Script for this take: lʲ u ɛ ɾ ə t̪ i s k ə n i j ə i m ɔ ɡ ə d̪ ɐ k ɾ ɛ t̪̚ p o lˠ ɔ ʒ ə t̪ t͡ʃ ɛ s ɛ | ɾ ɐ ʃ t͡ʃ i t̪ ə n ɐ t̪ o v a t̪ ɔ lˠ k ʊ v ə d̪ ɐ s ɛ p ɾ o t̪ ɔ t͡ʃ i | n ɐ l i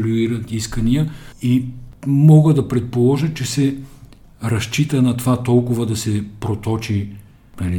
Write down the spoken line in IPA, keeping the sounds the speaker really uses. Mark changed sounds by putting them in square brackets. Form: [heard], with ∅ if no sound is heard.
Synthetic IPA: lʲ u [i] ɾ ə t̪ i s k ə n i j ə i m ɔ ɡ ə d̪ ɐ [p] ɾ ɛ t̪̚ p o lˠ ɔ ʒ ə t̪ t͡ʃ ɛ s ɛ | ɾ ɐ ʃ t͡ʃ i t̪ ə n ɐ t̪ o v a t̪ ɔ lˠ k ʊ v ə d̪ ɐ s ɛ p ɾ o t̪ ɔ t͡ʃ i | n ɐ l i